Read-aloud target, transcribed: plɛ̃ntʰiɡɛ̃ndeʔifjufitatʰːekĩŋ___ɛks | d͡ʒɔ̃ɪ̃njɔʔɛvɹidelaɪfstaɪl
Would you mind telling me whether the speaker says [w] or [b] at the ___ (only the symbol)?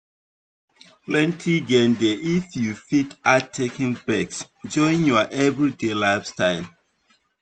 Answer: b